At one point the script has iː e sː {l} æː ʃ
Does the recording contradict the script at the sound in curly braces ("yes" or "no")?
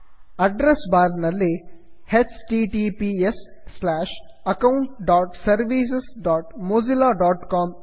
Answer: no